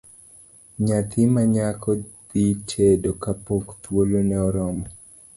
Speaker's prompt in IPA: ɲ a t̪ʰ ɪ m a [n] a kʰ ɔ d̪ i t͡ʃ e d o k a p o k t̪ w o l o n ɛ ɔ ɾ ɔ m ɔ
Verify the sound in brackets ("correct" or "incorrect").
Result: incorrect